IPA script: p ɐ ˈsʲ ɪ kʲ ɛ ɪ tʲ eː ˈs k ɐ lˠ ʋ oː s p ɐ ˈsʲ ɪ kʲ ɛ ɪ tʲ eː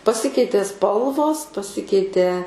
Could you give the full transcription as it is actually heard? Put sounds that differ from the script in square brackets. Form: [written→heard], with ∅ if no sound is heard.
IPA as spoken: p ɐ ˈsʲ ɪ kʲ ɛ ɪ tʲ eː ˈs [k→p] ɐ lˠ ʋ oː s p ɐ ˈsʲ ɪ kʲ ɛ ɪ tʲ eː